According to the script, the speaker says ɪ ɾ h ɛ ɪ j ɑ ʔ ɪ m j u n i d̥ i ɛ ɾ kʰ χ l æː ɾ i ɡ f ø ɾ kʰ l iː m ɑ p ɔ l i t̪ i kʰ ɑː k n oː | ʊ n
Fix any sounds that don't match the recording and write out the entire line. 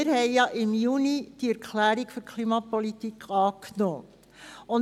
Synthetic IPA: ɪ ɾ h ɛ ɪ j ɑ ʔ ɪ m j u n i d̥ i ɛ ɾ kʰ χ l æː ɾ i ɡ f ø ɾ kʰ l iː m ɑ p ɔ l i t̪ i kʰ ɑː k n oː | ʊ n